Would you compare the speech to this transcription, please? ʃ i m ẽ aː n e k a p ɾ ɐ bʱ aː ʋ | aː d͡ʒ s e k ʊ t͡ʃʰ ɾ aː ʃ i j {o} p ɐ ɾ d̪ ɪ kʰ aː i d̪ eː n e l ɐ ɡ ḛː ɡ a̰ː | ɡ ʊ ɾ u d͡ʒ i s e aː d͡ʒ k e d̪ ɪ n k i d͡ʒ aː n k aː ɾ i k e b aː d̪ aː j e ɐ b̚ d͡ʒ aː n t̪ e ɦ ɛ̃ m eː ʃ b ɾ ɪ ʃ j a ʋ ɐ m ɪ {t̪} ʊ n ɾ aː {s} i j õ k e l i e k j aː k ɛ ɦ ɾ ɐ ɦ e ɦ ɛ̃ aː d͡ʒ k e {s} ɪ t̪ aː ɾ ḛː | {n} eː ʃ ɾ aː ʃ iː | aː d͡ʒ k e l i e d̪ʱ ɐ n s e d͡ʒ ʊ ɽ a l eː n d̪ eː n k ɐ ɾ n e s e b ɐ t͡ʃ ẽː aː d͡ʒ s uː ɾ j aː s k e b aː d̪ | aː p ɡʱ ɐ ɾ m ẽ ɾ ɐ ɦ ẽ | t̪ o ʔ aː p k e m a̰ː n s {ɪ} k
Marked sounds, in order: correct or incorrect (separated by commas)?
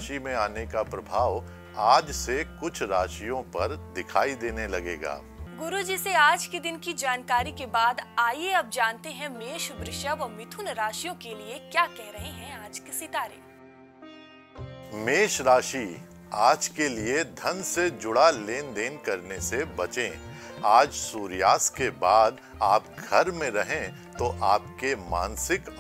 incorrect, incorrect, incorrect, correct, incorrect, correct